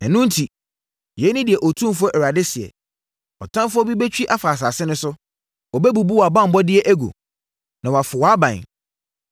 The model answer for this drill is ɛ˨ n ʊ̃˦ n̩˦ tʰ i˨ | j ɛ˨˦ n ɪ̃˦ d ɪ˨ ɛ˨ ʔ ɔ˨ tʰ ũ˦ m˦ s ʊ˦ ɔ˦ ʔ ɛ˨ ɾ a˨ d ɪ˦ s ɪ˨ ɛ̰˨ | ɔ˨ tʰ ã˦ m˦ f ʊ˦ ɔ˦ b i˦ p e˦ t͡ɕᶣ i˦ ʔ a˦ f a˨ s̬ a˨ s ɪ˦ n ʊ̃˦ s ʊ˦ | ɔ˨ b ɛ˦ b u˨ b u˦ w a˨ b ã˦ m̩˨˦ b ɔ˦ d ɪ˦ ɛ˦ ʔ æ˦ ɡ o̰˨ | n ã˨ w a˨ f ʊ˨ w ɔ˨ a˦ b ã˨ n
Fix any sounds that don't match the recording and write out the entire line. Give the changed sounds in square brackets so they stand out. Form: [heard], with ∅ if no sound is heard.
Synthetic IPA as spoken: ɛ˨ n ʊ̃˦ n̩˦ tʰ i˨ | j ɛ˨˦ n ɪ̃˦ d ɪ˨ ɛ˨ ʔ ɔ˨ tʰ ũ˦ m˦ [f] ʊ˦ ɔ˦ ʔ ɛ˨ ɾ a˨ d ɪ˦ s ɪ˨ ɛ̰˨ | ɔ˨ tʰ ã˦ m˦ f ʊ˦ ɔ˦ b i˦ [b] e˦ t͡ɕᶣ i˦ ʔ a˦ f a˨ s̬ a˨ s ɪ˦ n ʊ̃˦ s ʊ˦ | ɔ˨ b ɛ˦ b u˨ b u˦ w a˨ b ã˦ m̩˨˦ b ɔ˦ d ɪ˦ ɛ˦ ʔ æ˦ ɡ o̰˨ | n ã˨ w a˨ f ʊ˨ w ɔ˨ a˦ b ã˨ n